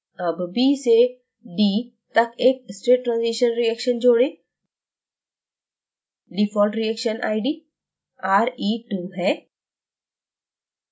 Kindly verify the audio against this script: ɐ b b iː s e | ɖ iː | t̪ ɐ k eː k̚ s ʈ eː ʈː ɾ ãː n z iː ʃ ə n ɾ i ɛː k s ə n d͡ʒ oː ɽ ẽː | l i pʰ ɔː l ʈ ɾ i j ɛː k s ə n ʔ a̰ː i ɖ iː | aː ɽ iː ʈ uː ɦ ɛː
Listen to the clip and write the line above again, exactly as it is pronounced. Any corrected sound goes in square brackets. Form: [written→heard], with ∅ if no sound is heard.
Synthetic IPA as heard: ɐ b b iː s e | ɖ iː | t̪ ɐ k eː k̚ s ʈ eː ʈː ɾ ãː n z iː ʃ ə n ɾ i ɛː k [s→ʃ] ə n d͡ʒ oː ɽ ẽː | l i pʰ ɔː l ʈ ɾ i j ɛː k [s→ʃ] ə n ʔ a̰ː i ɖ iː | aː [ɽ→ɾ] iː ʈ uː ɦ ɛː